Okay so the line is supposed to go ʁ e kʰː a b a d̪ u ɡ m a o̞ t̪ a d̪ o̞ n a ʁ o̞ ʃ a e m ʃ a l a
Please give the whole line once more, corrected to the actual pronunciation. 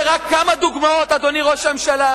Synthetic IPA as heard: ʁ a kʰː a m a d̪ u ɡ m a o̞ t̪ a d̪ o̞ n i ʁ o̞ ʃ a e m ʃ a l a